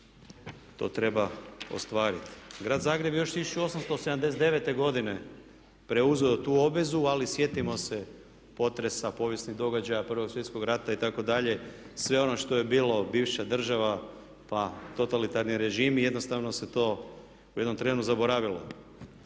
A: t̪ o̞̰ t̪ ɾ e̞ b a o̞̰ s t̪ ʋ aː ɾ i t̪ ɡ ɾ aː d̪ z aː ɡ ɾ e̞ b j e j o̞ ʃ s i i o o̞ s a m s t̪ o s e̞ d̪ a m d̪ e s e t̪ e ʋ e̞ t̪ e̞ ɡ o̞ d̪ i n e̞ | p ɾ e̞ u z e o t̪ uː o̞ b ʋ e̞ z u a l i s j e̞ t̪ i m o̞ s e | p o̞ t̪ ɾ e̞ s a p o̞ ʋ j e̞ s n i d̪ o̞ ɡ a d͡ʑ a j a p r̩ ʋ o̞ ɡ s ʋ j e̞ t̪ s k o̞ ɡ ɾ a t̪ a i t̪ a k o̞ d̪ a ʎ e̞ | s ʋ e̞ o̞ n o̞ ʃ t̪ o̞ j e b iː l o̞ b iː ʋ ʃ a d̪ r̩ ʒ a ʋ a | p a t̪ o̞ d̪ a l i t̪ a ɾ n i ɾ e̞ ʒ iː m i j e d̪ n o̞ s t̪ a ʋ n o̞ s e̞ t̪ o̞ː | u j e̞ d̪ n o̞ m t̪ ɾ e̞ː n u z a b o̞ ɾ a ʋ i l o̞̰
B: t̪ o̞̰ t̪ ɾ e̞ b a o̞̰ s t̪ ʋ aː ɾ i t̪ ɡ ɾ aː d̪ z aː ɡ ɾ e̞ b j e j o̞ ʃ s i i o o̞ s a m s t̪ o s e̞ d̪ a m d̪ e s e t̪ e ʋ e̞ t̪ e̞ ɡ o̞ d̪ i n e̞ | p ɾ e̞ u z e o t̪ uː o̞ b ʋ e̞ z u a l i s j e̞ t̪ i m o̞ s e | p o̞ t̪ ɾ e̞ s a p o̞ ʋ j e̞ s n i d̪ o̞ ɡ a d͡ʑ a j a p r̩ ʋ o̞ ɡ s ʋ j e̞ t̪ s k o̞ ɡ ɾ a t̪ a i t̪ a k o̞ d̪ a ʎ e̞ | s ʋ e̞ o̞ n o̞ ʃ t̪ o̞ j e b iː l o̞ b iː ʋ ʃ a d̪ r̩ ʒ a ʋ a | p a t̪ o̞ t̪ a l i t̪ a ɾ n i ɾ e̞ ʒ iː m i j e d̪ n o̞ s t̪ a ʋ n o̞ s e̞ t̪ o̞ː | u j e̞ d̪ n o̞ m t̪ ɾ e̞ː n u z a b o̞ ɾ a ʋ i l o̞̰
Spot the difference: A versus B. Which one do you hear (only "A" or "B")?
B